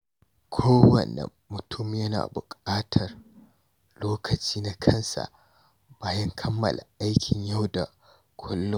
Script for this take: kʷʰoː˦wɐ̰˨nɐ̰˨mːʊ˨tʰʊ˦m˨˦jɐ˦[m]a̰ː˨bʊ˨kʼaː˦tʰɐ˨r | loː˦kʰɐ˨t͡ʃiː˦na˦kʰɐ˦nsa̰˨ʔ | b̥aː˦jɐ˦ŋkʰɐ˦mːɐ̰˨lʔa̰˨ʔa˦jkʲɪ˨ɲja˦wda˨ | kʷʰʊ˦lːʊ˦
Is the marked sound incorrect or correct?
incorrect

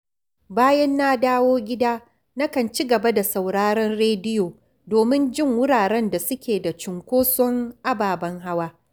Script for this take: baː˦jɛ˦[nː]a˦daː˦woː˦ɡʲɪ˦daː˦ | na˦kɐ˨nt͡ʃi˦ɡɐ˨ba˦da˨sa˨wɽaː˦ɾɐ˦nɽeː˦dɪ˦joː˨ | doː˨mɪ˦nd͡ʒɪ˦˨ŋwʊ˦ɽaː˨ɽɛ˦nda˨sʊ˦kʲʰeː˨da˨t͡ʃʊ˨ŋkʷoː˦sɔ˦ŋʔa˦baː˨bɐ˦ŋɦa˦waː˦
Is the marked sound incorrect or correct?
correct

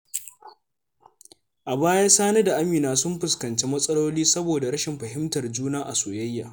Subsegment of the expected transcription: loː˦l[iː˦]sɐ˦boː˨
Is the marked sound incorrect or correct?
correct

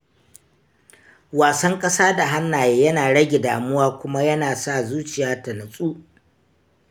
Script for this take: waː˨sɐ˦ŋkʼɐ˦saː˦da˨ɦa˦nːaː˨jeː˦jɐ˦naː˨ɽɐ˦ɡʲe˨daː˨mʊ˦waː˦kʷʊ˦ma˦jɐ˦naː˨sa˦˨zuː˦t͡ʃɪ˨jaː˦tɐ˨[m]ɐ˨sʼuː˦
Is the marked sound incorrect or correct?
incorrect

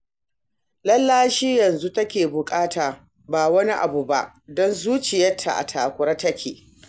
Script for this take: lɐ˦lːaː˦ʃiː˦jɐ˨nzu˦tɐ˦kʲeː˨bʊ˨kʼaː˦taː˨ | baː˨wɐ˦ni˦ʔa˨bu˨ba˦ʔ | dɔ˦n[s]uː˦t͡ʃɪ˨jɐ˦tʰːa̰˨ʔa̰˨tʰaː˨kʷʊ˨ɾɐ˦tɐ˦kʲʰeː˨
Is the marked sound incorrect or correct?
incorrect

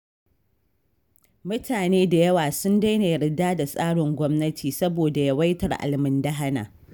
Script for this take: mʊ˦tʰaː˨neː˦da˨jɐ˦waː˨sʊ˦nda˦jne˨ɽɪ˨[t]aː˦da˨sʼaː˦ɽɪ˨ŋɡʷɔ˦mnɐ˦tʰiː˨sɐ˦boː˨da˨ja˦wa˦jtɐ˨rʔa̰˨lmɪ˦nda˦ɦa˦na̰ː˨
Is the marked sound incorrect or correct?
incorrect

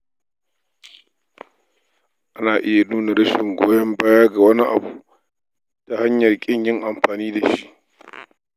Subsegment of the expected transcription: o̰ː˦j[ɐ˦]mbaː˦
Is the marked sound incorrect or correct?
correct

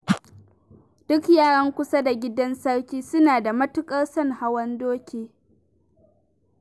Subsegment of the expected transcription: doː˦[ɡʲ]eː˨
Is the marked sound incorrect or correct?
incorrect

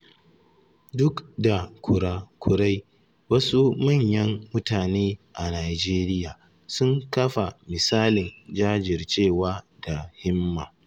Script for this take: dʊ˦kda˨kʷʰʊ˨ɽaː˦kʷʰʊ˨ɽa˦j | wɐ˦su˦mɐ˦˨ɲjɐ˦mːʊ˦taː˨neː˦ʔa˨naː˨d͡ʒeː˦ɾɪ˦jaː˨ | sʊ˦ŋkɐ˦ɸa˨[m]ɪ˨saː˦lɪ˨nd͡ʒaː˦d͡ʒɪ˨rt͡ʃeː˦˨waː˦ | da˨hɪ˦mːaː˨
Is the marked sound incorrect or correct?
correct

